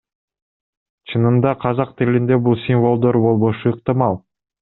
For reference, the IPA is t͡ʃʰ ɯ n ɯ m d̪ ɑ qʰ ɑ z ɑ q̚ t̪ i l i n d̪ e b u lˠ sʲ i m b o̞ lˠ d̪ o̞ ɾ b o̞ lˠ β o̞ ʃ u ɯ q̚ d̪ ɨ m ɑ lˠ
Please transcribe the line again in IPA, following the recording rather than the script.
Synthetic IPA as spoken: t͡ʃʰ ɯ n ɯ m d̪ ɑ qʰ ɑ z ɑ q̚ t̪ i l i n d̪ e b u lˠ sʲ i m v o̞ lˠ d̪ o̞ ɾ b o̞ lˠ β o̞ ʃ u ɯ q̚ t̪ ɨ m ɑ lˠ

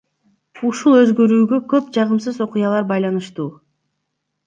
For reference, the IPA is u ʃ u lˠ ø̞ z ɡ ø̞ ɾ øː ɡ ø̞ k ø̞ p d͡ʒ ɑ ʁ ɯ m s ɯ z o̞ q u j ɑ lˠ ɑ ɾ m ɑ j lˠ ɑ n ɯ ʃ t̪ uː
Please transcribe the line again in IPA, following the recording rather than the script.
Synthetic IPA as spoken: u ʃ u lˠ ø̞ z ɡ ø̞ ɾ yː ɡ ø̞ k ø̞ p d͡ʒ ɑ ʁ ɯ m s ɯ z o̞ q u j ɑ lˠ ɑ ɾ b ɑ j lˠ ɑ n ɯ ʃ t̪ uː

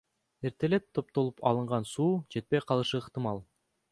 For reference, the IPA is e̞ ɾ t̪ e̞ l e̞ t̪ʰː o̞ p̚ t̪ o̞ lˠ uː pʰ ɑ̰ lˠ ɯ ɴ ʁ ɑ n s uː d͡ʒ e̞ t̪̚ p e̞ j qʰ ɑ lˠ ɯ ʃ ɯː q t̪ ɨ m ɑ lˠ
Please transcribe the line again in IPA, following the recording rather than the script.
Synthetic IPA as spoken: e̞ ɾ t̪ e̞ l e̞ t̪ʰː o̞ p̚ t̪ o̞ lˠ u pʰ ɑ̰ lˠ ɯ ɴ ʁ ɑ n s uː d͡ʒ e̞ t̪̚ p e̞ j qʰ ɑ lˠ ɯ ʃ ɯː q t̪ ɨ m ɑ lˠ

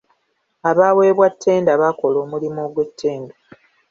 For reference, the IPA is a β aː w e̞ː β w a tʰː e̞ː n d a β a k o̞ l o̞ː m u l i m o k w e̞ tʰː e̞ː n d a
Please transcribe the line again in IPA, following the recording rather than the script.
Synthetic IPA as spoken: a β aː w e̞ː β w a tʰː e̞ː n d a β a k o̞ l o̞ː m u l i m o ɡ w e̞ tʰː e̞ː n d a

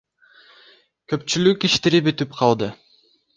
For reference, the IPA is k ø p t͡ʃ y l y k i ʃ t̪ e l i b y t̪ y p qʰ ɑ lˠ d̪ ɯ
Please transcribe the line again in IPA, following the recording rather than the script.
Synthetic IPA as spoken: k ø p t͡ʃ y l y k i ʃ t̪ e ɾ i b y t̪ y p qʰ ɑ lˠ d̪ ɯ

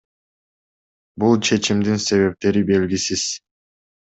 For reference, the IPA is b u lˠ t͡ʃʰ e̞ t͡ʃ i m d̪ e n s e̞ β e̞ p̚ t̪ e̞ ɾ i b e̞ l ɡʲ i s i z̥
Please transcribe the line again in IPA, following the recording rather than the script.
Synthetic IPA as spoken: b u lˠ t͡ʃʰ e̞ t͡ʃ i m d̪ i n s e̞ β e̞ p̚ t̪ e̞ ɾ i b e̞ l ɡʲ i s i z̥

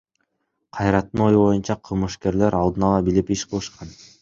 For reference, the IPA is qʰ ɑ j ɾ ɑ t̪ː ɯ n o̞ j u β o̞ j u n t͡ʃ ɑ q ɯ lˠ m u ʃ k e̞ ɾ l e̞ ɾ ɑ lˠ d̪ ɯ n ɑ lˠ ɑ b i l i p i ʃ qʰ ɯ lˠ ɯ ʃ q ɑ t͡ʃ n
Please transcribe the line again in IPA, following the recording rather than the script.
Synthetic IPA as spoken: qʰ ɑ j ɾ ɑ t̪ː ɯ n o̞ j u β o̞ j u n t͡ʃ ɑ qʰ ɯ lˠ m ɯ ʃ k e̞ ɾ l e̞ ɾ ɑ lˠ d̪ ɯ n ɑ lˠ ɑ b i l i p i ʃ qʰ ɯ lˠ ɯ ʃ q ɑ n

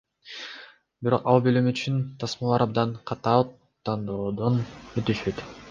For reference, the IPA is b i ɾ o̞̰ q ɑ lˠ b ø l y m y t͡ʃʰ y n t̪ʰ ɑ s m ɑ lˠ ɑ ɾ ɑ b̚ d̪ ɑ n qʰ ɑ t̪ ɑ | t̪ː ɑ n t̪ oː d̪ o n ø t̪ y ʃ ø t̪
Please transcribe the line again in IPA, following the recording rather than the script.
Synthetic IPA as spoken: b i ɾ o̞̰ q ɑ lˠ b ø l y m y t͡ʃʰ y n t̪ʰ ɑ s m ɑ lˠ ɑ ɾ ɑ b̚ d̪ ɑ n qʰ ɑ t̪ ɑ | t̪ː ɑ n d̪ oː d̪ o n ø t̪ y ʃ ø t̪

